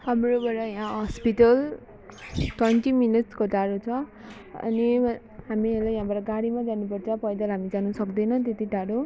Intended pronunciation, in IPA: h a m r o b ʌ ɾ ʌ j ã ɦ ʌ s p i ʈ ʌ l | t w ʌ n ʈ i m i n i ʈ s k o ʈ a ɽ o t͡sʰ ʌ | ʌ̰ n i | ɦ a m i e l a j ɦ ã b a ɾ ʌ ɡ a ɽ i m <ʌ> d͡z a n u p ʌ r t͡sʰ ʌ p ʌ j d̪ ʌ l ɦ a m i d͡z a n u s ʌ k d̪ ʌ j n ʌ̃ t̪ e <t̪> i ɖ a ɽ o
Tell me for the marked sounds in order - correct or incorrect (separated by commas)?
incorrect, correct